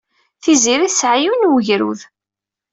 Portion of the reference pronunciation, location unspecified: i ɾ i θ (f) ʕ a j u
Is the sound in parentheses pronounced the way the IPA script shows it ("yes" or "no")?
no